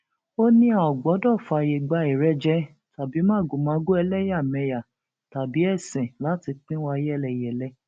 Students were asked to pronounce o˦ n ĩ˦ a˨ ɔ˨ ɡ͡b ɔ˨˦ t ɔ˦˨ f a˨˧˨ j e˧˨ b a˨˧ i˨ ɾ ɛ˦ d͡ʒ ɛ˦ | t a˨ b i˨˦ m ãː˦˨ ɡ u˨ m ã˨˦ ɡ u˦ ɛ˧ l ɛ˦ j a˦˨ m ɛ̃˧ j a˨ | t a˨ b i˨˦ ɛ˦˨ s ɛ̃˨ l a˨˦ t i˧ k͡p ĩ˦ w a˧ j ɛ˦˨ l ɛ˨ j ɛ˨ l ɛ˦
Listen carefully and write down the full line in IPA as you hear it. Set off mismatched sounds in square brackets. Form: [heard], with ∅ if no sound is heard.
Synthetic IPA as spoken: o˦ n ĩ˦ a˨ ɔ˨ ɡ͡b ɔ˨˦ [d] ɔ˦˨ f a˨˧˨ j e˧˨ [ɡ͡b] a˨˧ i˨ ɾ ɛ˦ d͡ʒ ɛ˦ | t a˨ b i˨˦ m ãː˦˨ ɡ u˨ m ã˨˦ ɡ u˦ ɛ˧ l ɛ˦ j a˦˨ m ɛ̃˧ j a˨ | t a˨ b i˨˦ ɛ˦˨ s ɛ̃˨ l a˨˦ t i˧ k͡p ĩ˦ w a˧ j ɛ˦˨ l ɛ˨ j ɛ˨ l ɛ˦